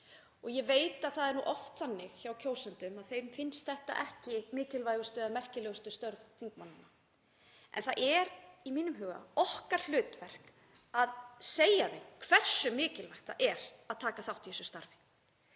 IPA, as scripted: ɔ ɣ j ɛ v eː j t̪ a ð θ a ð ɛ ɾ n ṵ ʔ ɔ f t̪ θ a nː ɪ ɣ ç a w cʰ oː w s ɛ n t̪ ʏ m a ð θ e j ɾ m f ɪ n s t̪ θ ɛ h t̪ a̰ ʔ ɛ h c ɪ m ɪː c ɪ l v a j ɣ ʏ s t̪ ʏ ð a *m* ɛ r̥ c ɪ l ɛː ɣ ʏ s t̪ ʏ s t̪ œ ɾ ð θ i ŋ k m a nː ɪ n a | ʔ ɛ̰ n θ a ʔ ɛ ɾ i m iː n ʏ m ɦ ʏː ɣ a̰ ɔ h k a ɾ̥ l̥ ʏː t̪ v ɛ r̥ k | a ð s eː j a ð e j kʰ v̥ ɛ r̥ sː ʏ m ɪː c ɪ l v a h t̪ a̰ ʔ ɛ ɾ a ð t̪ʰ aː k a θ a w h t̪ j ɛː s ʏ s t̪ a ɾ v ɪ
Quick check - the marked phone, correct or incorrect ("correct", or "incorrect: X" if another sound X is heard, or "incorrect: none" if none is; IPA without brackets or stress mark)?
correct